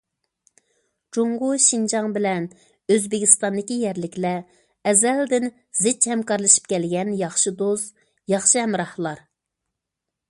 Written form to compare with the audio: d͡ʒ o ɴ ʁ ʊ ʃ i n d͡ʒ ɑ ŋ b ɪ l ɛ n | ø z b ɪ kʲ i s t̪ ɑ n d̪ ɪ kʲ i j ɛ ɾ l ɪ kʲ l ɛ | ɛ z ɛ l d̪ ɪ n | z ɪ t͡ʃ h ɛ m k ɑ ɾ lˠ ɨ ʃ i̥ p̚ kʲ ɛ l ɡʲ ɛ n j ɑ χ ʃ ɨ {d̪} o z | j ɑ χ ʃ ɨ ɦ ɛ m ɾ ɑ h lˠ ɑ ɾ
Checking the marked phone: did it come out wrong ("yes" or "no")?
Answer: no